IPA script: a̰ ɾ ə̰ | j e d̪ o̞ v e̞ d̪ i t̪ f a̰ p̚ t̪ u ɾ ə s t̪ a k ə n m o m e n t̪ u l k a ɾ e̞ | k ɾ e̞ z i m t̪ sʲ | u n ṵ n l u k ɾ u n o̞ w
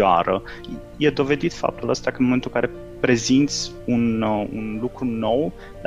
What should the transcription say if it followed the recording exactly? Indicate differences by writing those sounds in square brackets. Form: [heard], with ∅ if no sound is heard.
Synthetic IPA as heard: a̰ ɾ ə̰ | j e d̪ o̞ v e̞ d̪ i t̪ f a̰ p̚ t̪ u [l] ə s t̪ a k ə n m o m e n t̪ u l k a ɾ e̞ | [p] ɾ e̞ z i [n] t̪ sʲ | u n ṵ n l u k ɾ u n o̞ w